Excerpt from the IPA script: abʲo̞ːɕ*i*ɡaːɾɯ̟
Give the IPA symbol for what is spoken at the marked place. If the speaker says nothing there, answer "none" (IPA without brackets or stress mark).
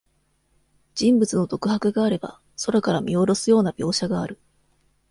a